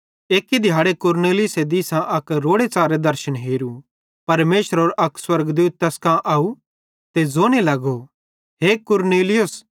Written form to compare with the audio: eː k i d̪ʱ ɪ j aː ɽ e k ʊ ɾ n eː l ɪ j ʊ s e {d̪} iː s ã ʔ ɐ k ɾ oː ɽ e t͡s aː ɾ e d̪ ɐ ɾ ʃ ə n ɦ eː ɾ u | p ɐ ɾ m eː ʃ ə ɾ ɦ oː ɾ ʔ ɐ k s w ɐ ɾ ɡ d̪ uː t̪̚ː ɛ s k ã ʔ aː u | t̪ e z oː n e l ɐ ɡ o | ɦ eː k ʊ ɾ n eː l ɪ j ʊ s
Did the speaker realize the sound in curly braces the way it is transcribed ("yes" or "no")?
yes